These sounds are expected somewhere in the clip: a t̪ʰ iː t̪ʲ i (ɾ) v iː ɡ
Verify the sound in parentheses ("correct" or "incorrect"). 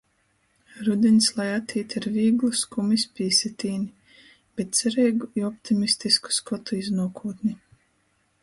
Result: correct